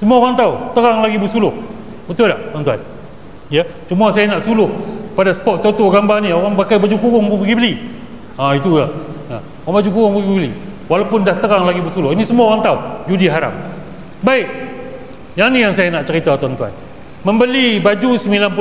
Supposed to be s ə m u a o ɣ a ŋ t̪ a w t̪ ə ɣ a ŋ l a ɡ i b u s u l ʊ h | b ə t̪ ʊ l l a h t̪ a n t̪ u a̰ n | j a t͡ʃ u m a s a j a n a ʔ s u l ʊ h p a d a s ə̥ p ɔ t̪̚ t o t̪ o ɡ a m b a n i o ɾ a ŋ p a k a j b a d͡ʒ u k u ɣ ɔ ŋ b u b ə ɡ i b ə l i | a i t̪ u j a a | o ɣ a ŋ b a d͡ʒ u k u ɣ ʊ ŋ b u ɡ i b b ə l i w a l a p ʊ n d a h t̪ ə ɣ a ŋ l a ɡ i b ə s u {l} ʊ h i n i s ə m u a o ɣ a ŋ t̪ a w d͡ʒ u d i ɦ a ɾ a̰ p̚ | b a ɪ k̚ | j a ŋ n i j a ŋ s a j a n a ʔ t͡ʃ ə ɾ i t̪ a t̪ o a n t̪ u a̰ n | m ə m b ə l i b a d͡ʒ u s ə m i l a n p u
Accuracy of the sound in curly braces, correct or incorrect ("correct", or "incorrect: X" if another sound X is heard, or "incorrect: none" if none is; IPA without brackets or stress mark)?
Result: correct